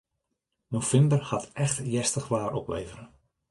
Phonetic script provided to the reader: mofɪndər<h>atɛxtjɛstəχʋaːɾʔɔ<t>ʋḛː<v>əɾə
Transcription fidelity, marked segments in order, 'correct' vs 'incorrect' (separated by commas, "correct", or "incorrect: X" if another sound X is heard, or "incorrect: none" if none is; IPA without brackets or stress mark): correct, incorrect: p, correct